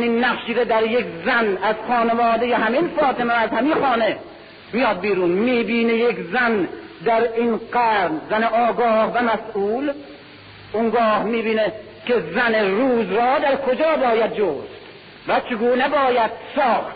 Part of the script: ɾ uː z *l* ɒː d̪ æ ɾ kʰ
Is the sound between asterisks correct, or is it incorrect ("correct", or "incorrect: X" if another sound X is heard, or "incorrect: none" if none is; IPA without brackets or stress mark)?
incorrect: ɾ